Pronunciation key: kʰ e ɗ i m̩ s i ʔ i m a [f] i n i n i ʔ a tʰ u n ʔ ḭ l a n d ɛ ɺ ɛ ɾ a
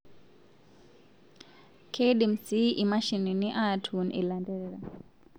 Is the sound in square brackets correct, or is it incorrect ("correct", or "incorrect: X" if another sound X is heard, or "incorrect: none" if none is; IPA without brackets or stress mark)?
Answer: incorrect: ʃ